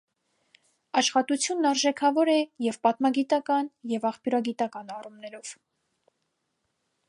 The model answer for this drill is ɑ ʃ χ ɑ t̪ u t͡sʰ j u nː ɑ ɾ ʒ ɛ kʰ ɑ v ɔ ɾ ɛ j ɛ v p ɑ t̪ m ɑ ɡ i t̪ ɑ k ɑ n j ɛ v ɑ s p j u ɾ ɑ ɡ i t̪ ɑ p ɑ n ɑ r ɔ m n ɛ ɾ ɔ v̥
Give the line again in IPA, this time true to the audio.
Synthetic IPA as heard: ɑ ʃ χ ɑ t̪ u t͡sʰ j u nː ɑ ɾ ʒ ɛ kʰ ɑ v ɔ ɾ ɛ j ɛ v p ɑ t̪ m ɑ ɡ i t̪ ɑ k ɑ n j ɛ v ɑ χ p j u ɾ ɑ ɡ i t̪ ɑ k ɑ n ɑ r u m n ɛ ɾ ɔ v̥